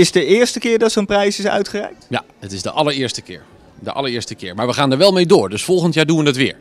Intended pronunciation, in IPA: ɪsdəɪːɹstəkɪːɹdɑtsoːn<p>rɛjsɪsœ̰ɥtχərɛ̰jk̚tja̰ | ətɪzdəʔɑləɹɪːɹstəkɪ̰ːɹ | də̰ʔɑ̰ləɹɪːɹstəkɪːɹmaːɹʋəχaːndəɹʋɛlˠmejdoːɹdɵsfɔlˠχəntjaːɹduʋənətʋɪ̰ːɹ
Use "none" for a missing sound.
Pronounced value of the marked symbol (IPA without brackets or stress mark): p